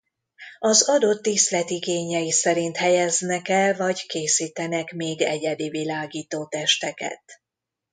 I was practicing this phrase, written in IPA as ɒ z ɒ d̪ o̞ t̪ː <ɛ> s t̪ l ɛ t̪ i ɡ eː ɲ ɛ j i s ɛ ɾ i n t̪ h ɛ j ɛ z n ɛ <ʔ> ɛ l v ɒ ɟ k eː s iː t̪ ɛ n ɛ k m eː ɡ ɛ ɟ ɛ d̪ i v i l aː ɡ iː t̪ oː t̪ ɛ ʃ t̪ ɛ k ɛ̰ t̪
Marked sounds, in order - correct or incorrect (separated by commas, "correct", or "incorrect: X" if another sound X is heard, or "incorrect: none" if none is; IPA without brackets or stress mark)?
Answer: incorrect: i, incorrect: k